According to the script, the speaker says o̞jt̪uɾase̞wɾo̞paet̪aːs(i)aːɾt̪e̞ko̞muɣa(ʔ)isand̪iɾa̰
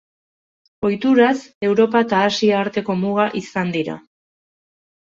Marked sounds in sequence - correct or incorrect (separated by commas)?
correct, correct